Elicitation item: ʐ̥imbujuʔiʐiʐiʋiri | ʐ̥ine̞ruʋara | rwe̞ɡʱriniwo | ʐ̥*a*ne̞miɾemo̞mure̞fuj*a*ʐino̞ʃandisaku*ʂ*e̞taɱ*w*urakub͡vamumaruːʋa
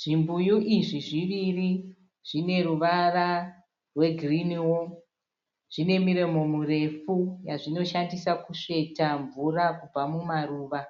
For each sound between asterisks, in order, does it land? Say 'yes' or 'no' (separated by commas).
no, yes, yes, no